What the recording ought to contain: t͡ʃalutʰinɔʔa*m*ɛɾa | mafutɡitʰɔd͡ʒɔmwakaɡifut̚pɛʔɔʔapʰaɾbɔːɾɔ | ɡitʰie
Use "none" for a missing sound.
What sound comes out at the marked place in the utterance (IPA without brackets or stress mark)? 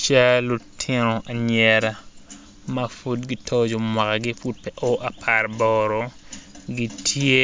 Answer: ɲ